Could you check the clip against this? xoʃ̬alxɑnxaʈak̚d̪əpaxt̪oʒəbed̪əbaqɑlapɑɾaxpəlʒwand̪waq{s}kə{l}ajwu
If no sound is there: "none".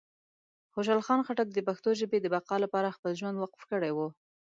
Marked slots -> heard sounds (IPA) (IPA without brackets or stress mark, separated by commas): f, ɽ